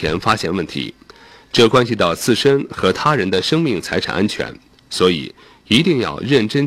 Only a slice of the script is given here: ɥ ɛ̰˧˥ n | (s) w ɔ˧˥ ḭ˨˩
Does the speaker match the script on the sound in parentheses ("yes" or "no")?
yes